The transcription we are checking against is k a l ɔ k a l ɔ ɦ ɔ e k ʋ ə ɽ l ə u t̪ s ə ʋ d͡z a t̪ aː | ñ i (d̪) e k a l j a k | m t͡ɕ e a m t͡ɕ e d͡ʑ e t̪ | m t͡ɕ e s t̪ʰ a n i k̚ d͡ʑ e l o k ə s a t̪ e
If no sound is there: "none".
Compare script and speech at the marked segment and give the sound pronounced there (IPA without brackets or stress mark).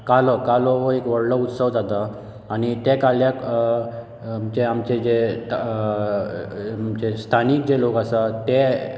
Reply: t̪